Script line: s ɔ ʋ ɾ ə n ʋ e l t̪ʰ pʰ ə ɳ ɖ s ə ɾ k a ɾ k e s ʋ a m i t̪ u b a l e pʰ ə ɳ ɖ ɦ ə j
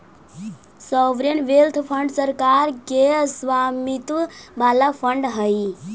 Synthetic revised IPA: s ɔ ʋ ɾ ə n ʋ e l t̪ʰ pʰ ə ɳ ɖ s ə ɾ k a ɾ k e s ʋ a m i t̪ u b a l a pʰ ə ɳ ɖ ɦ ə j